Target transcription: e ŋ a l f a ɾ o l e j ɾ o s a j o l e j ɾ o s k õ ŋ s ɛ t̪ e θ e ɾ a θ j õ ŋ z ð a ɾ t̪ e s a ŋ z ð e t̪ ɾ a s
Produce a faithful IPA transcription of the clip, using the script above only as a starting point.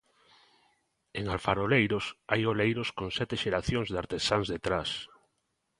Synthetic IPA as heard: e ŋ a l f a ɾ o l e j ɾ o s a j o l e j ɾ o s k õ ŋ s ɛ t̪ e ʃ e ɾ a θ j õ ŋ z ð a ɾ t̪ e s a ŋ z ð e t̪ ɾ a s

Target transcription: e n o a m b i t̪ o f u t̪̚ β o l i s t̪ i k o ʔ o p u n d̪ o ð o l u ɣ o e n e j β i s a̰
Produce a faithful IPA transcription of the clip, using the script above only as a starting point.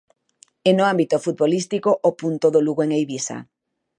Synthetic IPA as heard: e n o a m b i t̪ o f u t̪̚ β o l i s t̪ i k o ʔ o p u n t̪ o ð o l u ɣ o e ŋ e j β i s a̰

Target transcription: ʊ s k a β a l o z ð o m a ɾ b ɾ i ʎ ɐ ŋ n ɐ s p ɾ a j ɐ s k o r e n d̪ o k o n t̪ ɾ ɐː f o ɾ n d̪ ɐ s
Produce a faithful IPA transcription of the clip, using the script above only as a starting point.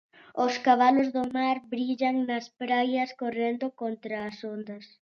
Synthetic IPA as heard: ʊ s k a β a l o z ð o m a ɾ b ɾ i ʎ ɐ ŋ n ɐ s p ɾ a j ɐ s k o r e n d̪ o k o n t̪ ɾ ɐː s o n d̪ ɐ s

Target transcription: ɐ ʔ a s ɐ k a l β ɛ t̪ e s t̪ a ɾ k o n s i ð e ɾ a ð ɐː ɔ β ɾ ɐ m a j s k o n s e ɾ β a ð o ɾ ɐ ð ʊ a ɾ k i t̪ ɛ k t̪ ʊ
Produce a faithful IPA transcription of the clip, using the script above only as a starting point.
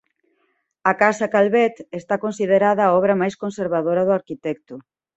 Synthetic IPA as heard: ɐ k a s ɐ k a l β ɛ t̪ e s t̪ a k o n s i ð e ɾ a ð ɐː ɔ β ɾ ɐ m a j s k o n s e ɾ β a ð o ɾ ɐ ð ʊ a ɾ k i t̪ ɛ k t̪ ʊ

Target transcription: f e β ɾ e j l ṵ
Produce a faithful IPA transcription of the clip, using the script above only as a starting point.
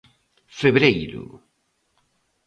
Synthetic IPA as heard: f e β ɾ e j ɾ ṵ

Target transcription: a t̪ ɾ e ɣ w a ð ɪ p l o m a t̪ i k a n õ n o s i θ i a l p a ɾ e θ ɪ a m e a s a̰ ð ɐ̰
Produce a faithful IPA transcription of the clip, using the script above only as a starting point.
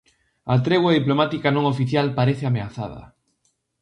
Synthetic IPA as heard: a t̪ ɾ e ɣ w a ð i p l o m a t̪ i k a n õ ŋ o f i θ j a l p a ɾ e θ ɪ a m e a θ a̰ ð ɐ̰

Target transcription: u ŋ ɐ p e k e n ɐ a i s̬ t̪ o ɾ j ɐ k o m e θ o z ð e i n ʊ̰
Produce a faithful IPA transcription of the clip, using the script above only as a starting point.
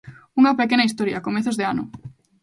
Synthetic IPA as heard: u ŋ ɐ p e k e n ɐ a i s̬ t̪ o ɾ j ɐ k o m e θ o z ð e a n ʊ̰

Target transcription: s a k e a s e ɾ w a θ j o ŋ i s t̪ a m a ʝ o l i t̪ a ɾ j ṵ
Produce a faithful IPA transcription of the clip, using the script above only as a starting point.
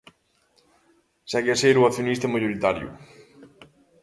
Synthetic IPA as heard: s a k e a s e ɾ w a θ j o n i s t̪ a m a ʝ o ɾ i t̪ a ɾ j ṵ

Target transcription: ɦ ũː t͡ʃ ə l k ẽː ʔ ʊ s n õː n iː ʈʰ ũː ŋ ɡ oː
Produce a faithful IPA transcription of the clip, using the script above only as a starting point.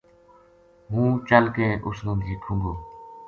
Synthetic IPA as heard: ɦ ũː t͡ʃ ə l k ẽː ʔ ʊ s n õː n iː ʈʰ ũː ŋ ɡ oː

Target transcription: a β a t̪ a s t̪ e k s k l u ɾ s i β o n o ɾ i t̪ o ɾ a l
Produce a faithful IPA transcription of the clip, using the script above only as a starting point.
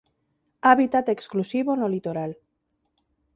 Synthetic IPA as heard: a β i t̪ a t̪ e k s k l u s i β o n o l i t̪ o ɾ a l

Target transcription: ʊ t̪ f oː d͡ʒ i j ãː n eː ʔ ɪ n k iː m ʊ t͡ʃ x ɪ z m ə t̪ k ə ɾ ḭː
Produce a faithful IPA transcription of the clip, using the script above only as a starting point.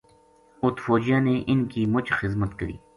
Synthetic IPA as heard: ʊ t̪ f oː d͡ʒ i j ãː n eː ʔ ɪ n k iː m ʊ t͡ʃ x ɪ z m ə t̪ k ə ɾ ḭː

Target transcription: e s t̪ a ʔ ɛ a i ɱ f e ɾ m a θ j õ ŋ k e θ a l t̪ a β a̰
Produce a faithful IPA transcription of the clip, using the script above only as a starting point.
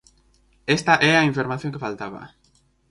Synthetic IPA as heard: e s t̪ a ʔ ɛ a i ɱ f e ɾ m a θ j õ ŋ k e f a l t̪ a β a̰

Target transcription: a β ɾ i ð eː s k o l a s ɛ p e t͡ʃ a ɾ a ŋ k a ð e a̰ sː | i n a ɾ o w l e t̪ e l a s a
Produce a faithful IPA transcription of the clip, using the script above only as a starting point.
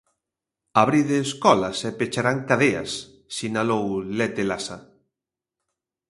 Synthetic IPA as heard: a β ɾ i ð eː s k ɔ l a s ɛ p e t͡ʃ a ɾ a ŋ k a ð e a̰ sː | i n a l o w l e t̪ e l a s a

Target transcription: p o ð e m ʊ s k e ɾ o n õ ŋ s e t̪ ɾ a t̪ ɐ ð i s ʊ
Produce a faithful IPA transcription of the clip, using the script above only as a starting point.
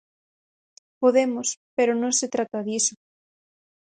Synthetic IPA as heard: p o ð e m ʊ s p e ɾ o n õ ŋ s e t̪ ɾ a t̪ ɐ ð i s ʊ

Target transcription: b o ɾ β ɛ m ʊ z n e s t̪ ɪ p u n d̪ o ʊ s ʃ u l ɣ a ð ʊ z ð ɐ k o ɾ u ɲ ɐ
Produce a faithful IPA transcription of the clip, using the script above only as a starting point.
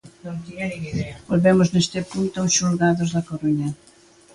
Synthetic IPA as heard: b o l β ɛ m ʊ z n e s t̪ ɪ p u n t̪ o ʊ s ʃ u l ɣ a ð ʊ z ð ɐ k o ɾ u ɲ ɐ

